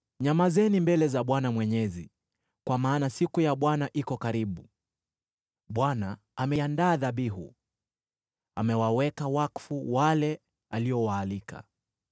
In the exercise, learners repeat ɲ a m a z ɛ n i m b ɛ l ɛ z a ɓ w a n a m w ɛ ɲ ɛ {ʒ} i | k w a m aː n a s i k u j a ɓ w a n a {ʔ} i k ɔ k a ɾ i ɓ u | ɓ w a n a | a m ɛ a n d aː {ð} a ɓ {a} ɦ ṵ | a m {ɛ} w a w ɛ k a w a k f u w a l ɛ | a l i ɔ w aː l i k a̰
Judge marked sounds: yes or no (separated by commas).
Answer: no, yes, yes, no, yes